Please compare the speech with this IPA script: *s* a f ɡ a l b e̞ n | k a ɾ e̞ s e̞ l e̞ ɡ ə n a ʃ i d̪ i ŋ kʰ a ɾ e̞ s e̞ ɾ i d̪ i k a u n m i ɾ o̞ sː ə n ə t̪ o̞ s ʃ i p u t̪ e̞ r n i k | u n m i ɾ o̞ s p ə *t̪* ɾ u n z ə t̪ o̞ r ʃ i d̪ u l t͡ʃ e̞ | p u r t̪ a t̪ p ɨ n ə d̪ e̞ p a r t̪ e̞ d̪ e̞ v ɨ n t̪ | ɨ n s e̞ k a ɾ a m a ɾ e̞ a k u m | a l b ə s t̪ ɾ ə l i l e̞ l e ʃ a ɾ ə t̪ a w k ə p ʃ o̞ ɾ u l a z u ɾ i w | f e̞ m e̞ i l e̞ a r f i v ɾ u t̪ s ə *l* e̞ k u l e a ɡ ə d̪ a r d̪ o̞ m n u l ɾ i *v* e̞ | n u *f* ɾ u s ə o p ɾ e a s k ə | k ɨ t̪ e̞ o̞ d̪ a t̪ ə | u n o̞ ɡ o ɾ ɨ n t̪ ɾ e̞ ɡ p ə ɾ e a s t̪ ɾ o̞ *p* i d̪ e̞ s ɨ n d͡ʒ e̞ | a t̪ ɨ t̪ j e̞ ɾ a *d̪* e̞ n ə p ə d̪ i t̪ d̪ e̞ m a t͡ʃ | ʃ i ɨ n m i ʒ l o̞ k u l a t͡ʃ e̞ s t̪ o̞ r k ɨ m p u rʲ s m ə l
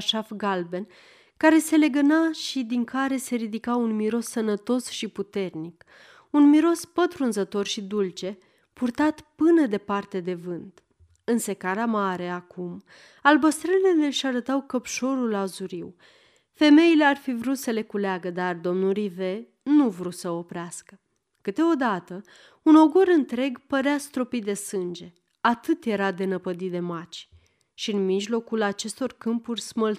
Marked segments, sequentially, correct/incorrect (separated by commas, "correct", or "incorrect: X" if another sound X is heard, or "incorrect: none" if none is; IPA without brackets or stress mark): incorrect: ʃ, correct, correct, correct, incorrect: v, correct, correct